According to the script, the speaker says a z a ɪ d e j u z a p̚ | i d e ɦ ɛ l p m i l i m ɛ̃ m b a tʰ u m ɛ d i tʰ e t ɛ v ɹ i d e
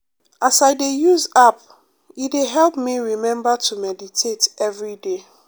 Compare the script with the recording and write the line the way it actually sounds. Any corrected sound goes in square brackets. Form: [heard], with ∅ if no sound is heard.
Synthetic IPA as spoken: a [s] a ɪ d e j u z a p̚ | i d e ɦ ɛ l p m i [ɹ] i m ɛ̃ m b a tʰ u m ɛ d i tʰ e t ɛ v ɹ i d e